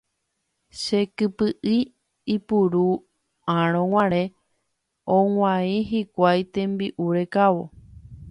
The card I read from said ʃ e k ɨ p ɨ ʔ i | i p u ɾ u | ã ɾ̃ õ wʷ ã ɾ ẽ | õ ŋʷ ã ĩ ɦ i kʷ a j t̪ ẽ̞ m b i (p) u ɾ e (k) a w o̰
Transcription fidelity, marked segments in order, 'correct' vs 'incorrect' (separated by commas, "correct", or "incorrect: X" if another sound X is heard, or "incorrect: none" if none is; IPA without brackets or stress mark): incorrect: ʔ, correct